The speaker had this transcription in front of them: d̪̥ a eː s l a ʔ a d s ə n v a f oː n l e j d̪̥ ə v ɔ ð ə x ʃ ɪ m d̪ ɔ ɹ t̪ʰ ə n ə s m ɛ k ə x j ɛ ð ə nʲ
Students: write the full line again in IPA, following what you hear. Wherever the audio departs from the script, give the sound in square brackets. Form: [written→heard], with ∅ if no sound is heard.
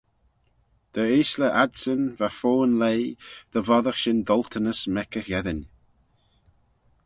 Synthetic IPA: d̪̥ [a→ə] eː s l [a→ə] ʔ a d s ə n v a f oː n l e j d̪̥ ə v ɔ ð ə x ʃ ɪ [m→n] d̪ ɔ [ɹ→l] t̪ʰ ə n ə s m ɛ k ə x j ɛ ð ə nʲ